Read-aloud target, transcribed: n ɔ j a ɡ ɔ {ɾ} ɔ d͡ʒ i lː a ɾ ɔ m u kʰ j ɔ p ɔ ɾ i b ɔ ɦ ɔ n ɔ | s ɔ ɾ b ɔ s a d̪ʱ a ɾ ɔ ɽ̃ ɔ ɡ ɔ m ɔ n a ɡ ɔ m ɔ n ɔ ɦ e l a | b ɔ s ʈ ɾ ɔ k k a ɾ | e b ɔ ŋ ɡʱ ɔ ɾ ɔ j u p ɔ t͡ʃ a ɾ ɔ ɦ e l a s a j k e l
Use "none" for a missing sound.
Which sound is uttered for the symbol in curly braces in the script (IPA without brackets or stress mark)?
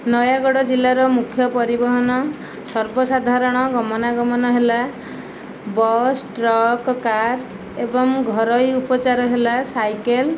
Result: ɽ